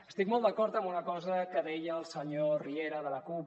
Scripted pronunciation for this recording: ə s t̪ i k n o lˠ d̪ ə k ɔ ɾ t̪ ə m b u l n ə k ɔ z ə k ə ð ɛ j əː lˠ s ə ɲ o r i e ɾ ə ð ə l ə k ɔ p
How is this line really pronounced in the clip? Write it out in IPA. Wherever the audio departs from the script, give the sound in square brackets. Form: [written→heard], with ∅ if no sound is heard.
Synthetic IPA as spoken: ə s t̪ i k [n→m] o lˠ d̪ ə k ɔ ɾ t̪ ə m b u [l→∅] n ə k ɔ z ə k ə ð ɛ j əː lˠ s ə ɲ o r i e ɾ ə ð ə l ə k [ɔ→u] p